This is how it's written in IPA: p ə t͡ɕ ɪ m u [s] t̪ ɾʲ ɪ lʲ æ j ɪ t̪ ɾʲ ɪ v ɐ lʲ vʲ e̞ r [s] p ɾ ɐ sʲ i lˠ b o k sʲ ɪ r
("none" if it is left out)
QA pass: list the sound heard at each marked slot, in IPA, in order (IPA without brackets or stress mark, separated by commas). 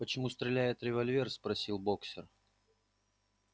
s, s